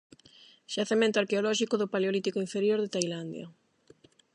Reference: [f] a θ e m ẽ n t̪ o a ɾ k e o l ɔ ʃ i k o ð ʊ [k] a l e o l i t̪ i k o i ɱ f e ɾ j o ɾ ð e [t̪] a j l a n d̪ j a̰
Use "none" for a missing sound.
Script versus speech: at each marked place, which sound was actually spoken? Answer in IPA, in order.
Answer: ʃ, p, t̪

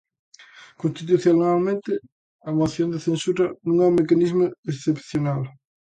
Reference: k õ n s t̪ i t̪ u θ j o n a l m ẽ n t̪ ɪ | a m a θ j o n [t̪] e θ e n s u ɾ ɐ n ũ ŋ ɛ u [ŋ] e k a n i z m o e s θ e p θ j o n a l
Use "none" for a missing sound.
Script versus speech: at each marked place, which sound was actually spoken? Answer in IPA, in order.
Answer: d̪, m

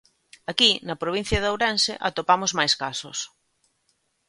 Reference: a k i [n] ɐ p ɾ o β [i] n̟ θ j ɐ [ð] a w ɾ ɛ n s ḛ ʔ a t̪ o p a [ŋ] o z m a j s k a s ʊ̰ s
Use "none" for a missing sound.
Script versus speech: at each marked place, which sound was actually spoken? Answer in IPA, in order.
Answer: n, i, ð, m

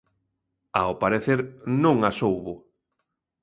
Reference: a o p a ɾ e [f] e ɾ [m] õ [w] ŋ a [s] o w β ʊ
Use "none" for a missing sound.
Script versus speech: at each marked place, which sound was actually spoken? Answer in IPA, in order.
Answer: θ, n, none, s

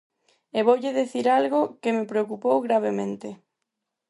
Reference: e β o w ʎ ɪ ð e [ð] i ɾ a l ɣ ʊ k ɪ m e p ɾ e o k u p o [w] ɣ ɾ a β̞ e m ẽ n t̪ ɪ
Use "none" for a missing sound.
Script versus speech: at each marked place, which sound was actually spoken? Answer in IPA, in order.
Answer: θ, w

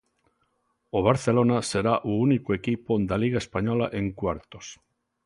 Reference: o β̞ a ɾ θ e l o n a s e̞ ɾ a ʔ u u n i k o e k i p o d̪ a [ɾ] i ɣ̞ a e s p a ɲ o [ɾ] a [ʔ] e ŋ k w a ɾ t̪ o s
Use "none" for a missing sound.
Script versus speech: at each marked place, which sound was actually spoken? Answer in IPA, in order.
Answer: l, l, ʔ

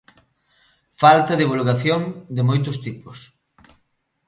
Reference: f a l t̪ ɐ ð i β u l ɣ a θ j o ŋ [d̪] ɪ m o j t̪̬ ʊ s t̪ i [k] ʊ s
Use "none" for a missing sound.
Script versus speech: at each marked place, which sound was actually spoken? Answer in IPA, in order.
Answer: d̪, p

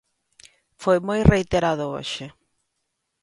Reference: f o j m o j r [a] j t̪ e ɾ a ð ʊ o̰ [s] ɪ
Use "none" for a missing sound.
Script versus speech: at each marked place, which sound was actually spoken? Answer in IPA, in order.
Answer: e, ʃ

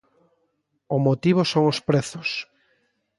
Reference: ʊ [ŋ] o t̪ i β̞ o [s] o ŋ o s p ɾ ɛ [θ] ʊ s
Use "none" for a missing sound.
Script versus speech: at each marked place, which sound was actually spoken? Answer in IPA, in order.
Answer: m, s, θ

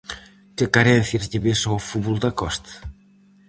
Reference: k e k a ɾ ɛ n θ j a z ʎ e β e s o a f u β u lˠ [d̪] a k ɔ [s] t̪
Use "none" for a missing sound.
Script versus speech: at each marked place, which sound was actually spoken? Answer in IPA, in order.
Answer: d̪, s

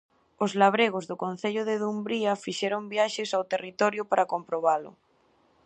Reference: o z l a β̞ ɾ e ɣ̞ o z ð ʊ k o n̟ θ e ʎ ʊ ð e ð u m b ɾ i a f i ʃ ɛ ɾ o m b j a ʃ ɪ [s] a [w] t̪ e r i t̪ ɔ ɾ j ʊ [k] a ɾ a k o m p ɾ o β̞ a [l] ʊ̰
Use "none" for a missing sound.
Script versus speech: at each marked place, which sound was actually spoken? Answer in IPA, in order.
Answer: s, w, p, l

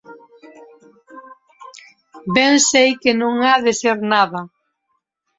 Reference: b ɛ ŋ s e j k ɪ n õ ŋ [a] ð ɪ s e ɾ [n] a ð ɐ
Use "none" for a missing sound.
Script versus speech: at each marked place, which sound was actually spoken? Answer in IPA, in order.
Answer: a, n

